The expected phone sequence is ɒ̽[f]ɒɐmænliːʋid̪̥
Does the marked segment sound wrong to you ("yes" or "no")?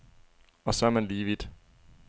yes